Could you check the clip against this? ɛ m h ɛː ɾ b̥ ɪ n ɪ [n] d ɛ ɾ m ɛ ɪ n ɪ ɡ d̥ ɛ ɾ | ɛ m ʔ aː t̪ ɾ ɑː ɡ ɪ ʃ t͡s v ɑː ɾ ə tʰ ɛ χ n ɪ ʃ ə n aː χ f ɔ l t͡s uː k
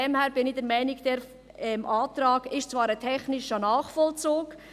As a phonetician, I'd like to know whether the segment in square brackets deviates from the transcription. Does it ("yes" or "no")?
yes